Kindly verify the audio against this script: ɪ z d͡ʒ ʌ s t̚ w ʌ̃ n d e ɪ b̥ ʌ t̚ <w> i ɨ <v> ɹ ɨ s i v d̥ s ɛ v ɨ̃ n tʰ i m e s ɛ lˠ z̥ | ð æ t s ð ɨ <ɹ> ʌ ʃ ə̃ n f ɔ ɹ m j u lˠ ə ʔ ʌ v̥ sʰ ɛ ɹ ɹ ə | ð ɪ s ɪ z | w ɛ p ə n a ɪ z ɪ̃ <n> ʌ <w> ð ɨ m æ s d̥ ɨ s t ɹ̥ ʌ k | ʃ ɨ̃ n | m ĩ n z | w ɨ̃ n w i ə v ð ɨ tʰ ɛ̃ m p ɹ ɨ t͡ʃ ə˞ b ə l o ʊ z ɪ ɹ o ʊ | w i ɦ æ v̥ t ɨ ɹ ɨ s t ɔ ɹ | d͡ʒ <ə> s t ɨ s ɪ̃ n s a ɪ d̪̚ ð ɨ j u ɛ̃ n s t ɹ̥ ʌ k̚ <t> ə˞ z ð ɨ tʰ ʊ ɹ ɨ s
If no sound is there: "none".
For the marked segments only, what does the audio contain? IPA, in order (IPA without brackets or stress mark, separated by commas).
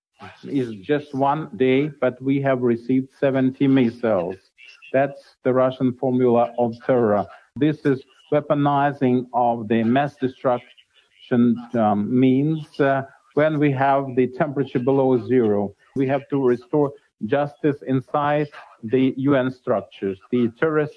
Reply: w, v, ɹ, ŋ, v, ʌ, t͡ʃ